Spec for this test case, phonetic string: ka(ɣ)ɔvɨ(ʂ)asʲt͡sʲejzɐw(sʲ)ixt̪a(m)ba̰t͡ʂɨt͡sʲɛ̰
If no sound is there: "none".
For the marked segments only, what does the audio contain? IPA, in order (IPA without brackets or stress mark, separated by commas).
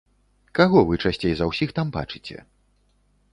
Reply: ɣ, t͡ʂ, sʲ, m